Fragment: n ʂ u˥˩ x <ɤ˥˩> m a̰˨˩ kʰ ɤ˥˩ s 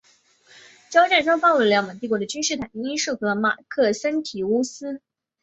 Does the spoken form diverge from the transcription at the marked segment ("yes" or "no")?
yes